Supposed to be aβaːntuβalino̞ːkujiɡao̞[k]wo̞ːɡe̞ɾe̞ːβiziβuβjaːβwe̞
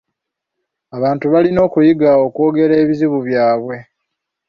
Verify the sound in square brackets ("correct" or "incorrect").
correct